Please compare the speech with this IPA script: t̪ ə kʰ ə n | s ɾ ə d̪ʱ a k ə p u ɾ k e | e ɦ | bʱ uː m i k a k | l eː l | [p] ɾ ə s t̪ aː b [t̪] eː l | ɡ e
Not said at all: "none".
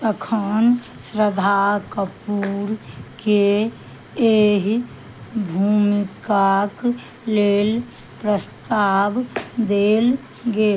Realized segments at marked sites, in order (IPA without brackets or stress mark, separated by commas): p, d̪